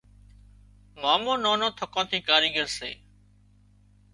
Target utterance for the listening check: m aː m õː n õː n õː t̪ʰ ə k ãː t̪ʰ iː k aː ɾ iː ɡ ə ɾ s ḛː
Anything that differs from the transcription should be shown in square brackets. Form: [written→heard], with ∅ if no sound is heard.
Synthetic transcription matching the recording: m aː m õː n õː n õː t̪ʰ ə k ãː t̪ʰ iː k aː ɾ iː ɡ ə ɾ s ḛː